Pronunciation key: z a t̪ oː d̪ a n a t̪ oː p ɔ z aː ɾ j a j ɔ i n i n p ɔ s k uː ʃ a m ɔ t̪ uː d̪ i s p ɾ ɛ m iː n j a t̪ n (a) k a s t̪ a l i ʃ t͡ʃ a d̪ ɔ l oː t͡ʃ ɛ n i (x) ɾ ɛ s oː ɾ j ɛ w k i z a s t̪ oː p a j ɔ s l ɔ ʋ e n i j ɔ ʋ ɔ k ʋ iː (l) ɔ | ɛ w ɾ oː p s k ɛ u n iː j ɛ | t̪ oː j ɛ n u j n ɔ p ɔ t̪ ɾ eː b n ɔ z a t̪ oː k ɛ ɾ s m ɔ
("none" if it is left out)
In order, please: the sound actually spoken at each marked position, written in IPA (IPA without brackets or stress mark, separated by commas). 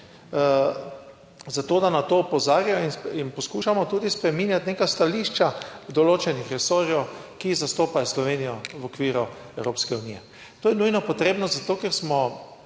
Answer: e, x, ɾ